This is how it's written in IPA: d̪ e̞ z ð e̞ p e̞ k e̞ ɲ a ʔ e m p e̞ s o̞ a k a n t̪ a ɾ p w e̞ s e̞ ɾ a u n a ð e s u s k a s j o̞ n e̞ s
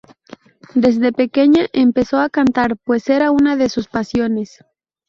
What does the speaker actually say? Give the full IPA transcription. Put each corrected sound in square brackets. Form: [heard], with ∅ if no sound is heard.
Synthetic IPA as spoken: d̪ e̞ z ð e̞ p e̞ k e̞ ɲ a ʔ e m p e̞ s o̞ a k a n t̪ a ɾ p w e̞ s e̞ ɾ a u n a ð e s u s [p] a s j o̞ n e̞ s